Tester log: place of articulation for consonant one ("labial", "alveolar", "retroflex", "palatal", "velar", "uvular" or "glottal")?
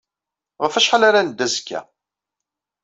uvular